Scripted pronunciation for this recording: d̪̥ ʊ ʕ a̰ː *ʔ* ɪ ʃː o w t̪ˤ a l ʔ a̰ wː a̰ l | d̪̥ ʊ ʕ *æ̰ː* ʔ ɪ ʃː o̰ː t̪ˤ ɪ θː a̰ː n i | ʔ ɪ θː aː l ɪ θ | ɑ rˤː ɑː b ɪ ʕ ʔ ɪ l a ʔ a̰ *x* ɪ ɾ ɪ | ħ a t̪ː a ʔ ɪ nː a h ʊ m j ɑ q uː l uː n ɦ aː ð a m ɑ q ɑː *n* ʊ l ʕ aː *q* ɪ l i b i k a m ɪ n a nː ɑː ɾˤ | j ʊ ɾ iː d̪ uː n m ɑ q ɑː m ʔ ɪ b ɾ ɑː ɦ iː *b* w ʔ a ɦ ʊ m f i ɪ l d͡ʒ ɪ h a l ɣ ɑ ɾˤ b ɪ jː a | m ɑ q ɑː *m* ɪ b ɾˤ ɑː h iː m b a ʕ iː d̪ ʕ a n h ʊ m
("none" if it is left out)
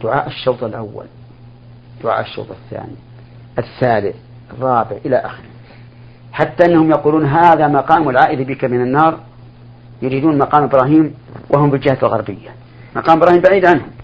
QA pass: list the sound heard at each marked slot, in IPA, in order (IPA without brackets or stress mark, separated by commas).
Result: ʔ, a̰ː, x, m, ʔ, m, m